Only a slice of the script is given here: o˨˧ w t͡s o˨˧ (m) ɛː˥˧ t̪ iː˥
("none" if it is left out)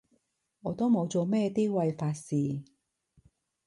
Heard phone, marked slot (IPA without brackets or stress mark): m